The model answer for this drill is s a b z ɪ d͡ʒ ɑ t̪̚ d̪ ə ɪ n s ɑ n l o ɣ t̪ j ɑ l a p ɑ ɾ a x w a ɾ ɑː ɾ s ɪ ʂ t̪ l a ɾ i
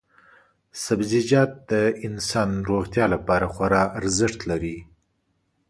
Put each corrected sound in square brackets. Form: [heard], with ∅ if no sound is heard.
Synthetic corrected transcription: s a b z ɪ d͡ʒ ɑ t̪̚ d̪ ə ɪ n s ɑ n [ɾ] o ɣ t̪ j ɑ l a p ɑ ɾ a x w a ɾ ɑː ɾ [z] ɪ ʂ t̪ l a ɾ i